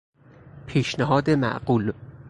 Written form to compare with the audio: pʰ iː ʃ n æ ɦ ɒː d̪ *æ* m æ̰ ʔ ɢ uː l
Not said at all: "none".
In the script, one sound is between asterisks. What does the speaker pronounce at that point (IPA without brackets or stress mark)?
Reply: e